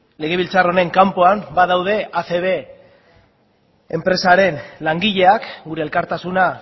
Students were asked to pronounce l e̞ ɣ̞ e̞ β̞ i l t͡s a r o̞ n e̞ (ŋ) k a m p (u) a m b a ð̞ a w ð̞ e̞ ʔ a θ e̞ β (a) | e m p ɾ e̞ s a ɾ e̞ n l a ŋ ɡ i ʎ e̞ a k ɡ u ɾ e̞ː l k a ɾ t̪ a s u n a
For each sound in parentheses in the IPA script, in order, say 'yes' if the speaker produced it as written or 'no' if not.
yes, no, no

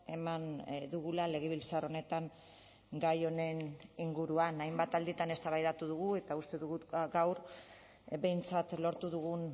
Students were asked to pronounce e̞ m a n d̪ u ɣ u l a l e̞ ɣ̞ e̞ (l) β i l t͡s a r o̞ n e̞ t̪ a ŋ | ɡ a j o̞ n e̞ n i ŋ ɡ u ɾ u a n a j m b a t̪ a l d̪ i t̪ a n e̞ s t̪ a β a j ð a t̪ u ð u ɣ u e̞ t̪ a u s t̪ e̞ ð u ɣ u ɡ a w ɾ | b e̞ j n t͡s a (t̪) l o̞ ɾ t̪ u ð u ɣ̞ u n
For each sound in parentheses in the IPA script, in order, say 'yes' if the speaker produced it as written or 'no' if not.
no, yes

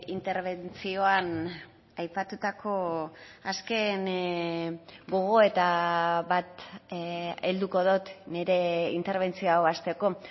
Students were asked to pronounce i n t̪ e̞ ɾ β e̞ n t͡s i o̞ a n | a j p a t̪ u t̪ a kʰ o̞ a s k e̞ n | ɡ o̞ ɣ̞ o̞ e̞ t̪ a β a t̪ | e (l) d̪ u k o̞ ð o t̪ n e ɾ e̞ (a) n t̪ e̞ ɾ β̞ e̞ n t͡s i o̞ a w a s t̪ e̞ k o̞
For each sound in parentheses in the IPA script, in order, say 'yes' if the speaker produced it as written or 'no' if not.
yes, no

